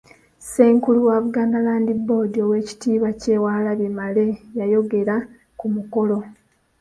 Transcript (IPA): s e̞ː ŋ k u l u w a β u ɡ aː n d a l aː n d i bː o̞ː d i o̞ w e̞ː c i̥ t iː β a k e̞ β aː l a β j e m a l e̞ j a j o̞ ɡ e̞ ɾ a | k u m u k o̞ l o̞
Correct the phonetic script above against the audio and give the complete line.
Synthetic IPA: s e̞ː ŋ k u l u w a β u ɡ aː n d a l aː n d i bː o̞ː d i o̞ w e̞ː c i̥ t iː β a c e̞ w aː l a β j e m a l e̞ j a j o̞ ɡ e̞ ɾ a | k u m u k o̞ l o̞